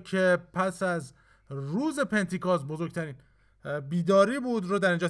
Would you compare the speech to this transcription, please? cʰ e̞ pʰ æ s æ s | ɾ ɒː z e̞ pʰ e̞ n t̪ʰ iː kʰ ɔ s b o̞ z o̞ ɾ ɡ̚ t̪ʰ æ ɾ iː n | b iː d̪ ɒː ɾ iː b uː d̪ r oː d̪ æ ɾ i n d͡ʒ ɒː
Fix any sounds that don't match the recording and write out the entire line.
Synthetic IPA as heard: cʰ e̞ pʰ æ s æ z | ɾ uː z e̞ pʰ e̞ n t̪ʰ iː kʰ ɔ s b o̞ z o̞ ɾ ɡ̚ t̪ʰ æ ɾ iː n | b iː d̪ ɒː ɾ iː b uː d̪ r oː d̪ æ ɾ i n d͡ʒ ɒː